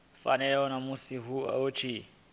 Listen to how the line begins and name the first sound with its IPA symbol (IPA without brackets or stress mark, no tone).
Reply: f